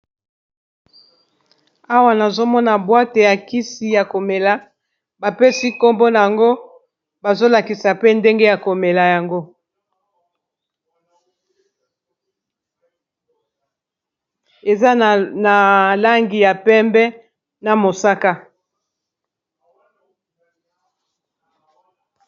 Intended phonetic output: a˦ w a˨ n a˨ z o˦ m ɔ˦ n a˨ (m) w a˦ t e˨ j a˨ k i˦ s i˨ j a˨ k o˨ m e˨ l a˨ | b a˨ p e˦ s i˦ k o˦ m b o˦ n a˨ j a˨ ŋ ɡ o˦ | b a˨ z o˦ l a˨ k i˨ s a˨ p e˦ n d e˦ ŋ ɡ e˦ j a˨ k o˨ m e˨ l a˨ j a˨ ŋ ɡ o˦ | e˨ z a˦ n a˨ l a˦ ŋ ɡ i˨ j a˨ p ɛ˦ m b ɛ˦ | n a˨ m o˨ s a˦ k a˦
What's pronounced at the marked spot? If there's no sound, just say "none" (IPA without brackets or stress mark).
b